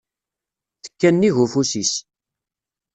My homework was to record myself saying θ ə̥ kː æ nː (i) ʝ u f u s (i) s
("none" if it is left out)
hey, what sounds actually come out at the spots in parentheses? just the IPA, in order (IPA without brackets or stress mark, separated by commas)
i, i